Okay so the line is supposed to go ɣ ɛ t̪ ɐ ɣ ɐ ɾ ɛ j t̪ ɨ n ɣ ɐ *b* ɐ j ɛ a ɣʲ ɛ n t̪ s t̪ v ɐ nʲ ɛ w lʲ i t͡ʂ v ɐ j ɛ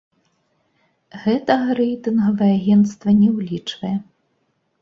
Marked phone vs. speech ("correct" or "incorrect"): incorrect